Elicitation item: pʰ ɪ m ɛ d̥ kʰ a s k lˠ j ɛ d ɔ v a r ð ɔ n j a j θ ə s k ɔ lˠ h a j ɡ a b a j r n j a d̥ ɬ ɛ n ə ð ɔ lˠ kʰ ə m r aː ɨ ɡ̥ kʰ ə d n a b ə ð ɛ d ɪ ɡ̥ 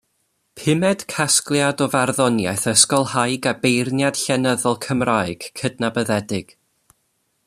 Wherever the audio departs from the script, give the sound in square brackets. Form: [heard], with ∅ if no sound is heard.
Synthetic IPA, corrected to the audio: pʰ ɪ m ɛ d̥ kʰ a s k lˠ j [a] d ɔ v a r ð ɔ n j a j θ ə s k ɔ lˠ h a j ɡ a b [e] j r n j a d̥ ɬ ɛ n ə ð ɔ lˠ kʰ ə m r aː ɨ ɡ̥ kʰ ə d n a b ə ð ɛ d ɪ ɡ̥

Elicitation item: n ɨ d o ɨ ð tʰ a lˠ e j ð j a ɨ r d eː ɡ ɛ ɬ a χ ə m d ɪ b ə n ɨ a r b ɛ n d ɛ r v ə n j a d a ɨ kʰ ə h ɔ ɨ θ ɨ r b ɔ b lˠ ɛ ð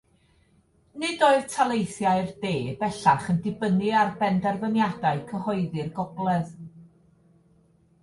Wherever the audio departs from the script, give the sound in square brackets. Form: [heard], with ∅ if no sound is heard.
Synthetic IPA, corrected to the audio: n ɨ d o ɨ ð tʰ a lˠ e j [θ] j a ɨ r d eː [b] ɛ ɬ a χ ə [n] d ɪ b ə n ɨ a r b ɛ n d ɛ r v ə n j a d a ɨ kʰ ə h ɔ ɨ [ð] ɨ r [ɡ] ɔ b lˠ ɛ ð

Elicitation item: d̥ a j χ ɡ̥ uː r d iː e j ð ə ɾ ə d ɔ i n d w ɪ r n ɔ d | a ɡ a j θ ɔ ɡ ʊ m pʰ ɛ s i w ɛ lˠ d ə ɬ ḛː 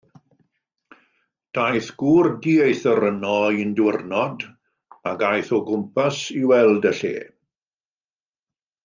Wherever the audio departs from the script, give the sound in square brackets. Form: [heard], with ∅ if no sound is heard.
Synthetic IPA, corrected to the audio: d̥ a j [θ] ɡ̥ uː r d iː e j [θ] ə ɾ ə [n] ɔ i n d w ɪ r n ɔ d | a ɡ a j θ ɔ ɡ ʊ m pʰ [a] s i w ɛ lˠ d ə ɬ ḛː

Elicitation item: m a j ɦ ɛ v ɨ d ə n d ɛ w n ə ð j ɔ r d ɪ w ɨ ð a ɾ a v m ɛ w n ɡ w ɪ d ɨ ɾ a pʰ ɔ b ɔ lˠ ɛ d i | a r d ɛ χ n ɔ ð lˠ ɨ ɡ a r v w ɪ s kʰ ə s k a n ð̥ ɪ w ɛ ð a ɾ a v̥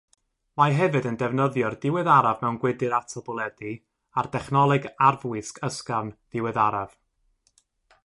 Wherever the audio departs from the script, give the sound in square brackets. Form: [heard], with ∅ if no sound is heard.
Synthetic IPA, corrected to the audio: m a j ɦ ɛ v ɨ d ə n d ɛ [v] n ə ð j ɔ r d ɪ w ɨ ð a ɾ a v m ɛ w n ɡ w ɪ d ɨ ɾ a [tʰ] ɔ b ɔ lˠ ɛ d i | a r d ɛ χ n ɔ [∅] lˠ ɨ ɡ a r v w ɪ s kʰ ə s k a n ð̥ ɪ w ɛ ð a ɾ a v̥

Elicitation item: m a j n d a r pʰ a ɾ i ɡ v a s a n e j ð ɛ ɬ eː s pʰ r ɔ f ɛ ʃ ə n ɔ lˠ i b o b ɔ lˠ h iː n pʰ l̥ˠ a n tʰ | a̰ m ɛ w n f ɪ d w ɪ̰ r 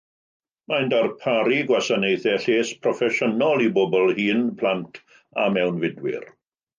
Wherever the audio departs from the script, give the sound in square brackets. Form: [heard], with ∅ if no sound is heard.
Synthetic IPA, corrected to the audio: m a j n d a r pʰ a ɾ i ɡ [w] a s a n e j [θ] ɛ ɬ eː s pʰ r ɔ f ɛ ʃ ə n ɔ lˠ i b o b ɔ lˠ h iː n pʰ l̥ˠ a n tʰ | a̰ m ɛ w n [v] ɪ d w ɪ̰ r

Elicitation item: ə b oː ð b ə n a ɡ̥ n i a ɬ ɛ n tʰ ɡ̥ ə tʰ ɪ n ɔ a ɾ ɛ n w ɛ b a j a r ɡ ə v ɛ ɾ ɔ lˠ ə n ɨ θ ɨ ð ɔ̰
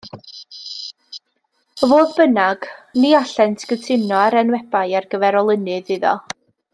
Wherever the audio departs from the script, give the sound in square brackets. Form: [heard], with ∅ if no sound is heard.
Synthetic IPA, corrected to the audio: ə [v] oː ð b ə n a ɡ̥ n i a ɬ ɛ n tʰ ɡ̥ ə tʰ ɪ n ɔ a ɾ ɛ n w ɛ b a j a r ɡ ə v ɛ ɾ ɔ lˠ ə n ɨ [ð] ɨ ð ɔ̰

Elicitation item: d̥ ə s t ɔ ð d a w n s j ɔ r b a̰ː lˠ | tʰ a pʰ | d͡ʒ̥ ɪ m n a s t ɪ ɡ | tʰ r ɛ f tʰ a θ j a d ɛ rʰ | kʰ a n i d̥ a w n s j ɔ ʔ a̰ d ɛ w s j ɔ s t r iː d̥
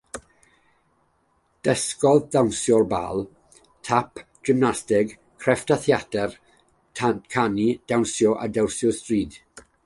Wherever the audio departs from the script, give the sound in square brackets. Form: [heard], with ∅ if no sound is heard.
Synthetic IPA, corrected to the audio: d̥ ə s [k] ɔ ð d a w n s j ɔ r b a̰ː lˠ | tʰ a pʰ | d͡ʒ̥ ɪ m n a s t ɪ ɡ | [kʰ] r ɛ f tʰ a θ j a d ɛ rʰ | kʰ a n i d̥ a w n s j ɔ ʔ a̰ d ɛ w s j ɔ s t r iː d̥

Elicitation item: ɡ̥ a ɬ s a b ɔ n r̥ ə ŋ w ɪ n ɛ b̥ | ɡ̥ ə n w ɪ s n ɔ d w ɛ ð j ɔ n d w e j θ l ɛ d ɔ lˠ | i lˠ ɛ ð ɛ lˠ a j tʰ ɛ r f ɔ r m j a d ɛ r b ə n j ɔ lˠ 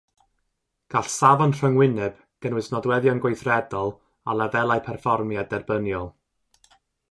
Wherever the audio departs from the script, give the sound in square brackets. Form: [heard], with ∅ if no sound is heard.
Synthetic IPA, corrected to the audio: ɡ̥ a ɬ s a [v] ɔ n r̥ ə ŋ w ɪ n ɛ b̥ | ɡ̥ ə n w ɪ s n ɔ d w ɛ ð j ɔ n [ɡ] w e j θ [r] ɛ d ɔ lˠ | [a] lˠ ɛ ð ɛ lˠ a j [pʰ] ɛ r f ɔ r m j a d ɛ r b ə n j ɔ lˠ

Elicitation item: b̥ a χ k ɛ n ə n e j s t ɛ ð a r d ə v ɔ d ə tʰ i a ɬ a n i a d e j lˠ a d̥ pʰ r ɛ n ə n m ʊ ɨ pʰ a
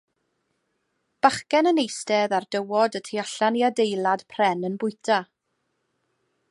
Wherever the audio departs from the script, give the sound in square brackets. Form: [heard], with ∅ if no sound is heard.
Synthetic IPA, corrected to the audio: b̥ a χ k ɛ n ə n e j s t ɛ ð a r d ə [w] ɔ d ə tʰ i a ɬ a n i a d e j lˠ a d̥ pʰ r ɛ n ə n [b] ʊ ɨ [tʰ] a

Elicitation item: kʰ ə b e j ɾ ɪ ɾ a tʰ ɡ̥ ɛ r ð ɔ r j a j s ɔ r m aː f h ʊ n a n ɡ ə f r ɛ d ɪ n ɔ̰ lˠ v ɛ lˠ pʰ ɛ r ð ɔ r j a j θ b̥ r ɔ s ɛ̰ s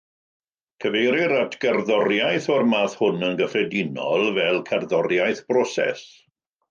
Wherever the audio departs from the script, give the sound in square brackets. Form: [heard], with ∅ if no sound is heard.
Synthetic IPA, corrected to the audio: kʰ ə [v] e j ɾ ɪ ɾ a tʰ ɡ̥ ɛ r ð ɔ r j a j [θ] ɔ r m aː [θ] h ʊ n [ə] n ɡ ə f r ɛ d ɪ n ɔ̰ lˠ v ɛ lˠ [kʰ] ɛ r ð ɔ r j a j θ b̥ r ɔ s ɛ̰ s

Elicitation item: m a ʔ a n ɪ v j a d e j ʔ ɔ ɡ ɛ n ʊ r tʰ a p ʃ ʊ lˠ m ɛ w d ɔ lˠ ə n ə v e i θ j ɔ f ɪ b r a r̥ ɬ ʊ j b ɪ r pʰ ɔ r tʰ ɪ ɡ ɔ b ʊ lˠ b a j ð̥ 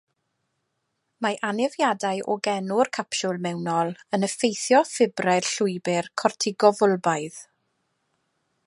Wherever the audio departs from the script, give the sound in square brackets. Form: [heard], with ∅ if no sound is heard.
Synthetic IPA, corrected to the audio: m a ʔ a n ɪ v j a d [a] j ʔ ɔ ɡ ɛ n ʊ r [kʰ] a p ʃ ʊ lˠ m ɛ w [n] ɔ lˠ ə n ə [f] e [j] θ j ɔ f ɪ b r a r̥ ɬ ʊ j b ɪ r [kʰ] ɔ r tʰ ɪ ɡ ɔ [v] ʊ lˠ b a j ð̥

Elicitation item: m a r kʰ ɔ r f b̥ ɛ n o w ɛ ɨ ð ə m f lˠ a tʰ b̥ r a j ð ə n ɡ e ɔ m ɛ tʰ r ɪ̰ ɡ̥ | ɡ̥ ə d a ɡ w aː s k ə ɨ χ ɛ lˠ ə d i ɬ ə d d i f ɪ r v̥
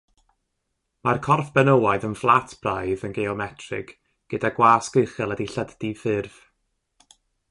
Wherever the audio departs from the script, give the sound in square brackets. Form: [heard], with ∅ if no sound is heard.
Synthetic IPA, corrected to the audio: m a r kʰ ɔ r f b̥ ɛ n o w [a] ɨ ð ə [n] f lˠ a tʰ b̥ r a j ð ə n ɡ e ɔ m ɛ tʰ r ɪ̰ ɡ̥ | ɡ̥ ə d a ɡ w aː s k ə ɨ χ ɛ lˠ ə d i ɬ ə d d i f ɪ r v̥

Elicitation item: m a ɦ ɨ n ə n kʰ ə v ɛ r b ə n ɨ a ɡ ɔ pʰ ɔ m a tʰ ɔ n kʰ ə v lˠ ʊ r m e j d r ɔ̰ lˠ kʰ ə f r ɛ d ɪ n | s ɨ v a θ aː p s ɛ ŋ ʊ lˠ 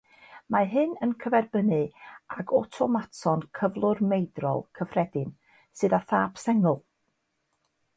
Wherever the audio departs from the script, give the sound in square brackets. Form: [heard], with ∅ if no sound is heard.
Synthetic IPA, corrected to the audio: m a ɦ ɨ n ə n kʰ ə v ɛ r b ə n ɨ a ɡ ɔ [tʰ] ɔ m a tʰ ɔ n kʰ ə v lˠ ʊ r m e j d r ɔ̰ lˠ kʰ ə f r ɛ d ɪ n | s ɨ [ð] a θ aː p s ɛ ŋ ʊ lˠ

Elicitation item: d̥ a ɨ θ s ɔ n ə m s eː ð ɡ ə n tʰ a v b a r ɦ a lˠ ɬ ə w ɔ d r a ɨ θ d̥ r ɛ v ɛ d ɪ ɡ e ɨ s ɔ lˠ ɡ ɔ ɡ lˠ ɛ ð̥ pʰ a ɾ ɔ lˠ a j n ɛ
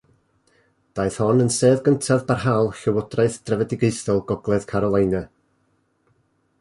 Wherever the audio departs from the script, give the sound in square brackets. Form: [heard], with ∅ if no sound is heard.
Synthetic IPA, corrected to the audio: d̥ a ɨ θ [h] ɔ n ə [n] s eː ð ɡ ə n tʰ a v b a r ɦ a lˠ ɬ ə w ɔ d r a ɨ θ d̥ r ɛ v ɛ d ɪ ɡ e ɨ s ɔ lˠ ɡ ɔ ɡ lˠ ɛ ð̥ [kʰ] a ɾ ɔ lˠ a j n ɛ

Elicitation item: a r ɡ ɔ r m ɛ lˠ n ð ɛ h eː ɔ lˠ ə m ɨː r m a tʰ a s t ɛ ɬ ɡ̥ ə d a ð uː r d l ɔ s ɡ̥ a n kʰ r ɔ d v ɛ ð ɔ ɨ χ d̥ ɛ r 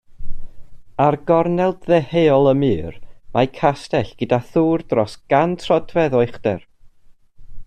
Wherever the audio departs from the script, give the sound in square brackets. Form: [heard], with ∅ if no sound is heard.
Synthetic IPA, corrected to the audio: a r ɡ ɔ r [n] ɛ lˠ [d] ð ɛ h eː ɔ lˠ ə m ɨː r m a [kʰ] a s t ɛ ɬ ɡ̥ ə d a [θ] uː r d [r] ɔ s ɡ̥ a n [tʰ] r ɔ d v ɛ ð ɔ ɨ χ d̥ ɛ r

